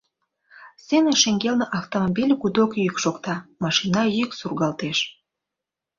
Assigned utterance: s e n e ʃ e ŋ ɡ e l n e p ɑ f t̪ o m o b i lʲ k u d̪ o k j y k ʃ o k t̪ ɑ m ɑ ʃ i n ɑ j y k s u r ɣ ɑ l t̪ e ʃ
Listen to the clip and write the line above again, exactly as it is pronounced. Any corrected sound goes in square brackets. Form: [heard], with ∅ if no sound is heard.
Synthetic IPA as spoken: s e n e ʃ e ŋ ɡ e l n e [ʔ] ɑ f t̪ o m o b i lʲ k u d̪ o k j y k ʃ o k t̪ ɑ m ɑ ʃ i n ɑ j y k s u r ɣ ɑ l t̪ e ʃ